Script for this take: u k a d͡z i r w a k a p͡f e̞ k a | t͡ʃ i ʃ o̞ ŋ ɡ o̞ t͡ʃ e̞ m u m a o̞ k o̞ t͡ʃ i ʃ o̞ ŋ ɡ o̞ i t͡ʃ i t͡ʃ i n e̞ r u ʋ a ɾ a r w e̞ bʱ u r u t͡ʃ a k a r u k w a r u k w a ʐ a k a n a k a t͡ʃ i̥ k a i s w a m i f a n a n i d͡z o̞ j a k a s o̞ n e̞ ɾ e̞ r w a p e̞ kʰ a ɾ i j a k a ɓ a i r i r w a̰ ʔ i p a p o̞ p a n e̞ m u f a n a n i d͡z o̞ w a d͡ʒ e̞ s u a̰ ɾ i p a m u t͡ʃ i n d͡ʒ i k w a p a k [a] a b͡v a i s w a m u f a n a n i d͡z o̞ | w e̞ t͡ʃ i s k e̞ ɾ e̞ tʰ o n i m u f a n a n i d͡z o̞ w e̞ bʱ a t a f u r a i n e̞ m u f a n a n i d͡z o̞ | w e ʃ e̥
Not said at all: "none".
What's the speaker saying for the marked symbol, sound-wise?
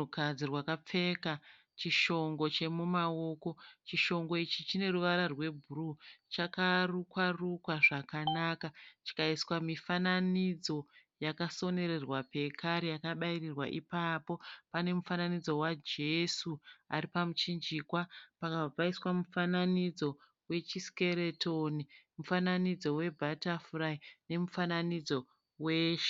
a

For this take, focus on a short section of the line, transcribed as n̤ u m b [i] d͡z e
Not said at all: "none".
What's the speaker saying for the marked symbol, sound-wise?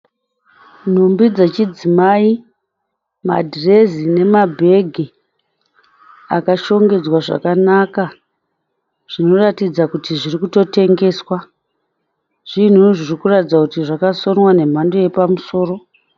i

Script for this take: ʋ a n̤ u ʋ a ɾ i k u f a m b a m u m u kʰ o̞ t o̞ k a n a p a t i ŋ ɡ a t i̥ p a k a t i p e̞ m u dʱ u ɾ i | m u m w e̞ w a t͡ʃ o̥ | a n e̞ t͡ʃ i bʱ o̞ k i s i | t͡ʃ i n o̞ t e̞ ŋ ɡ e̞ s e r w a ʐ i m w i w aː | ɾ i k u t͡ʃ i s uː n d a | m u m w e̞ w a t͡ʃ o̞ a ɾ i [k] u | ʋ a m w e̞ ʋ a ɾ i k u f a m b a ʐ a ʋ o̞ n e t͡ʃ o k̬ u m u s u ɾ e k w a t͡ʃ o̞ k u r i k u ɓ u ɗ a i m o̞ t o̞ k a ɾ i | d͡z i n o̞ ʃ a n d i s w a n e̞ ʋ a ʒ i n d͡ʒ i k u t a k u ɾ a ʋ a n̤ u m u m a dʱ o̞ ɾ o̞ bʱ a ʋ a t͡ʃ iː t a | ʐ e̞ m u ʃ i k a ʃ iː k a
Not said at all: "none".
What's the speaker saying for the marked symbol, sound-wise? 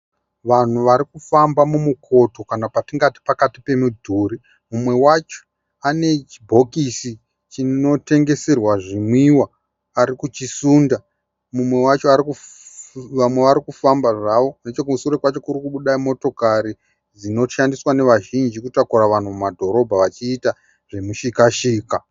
k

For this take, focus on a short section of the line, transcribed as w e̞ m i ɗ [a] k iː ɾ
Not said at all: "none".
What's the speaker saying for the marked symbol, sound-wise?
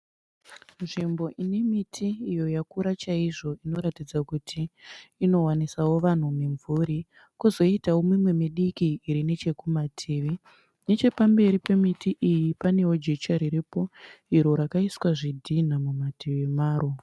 i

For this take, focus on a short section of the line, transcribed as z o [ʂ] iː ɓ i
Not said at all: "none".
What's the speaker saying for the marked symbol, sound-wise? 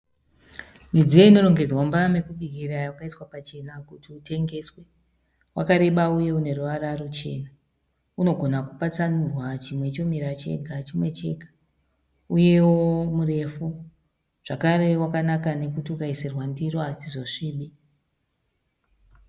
ʂ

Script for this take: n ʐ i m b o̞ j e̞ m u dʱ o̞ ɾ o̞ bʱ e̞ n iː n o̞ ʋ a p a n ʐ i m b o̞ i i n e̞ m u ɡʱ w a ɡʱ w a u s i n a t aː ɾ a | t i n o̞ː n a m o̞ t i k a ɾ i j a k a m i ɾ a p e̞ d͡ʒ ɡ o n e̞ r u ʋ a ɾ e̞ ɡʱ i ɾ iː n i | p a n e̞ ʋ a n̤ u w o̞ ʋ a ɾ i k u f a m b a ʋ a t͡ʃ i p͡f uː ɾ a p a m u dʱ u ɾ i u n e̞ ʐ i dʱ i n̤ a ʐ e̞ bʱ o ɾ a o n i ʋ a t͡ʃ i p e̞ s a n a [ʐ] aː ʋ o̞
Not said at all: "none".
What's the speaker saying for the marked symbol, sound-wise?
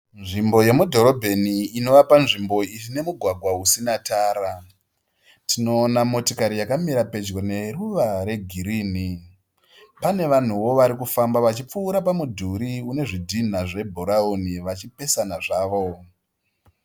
ʐ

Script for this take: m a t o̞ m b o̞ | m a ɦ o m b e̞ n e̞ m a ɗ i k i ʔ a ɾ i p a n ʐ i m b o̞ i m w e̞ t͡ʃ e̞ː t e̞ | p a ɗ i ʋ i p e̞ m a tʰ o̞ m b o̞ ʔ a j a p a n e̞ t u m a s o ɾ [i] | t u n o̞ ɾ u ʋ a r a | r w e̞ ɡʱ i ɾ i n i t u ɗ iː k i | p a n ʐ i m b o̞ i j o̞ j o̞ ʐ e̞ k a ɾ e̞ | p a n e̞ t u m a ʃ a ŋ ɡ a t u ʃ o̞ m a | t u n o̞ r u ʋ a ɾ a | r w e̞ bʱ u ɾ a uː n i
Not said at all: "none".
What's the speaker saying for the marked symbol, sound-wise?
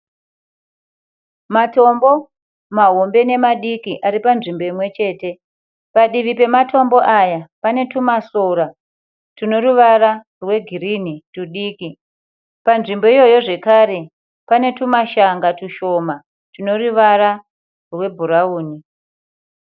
a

